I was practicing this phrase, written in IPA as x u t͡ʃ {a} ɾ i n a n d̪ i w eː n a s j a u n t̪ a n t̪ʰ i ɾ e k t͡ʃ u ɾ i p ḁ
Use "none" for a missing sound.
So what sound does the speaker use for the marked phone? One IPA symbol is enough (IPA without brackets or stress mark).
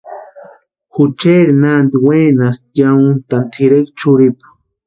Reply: e